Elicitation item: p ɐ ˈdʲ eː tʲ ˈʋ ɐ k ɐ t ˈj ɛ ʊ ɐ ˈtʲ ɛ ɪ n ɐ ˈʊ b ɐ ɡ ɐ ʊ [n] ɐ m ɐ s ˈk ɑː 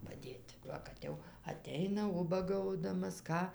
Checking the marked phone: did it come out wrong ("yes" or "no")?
yes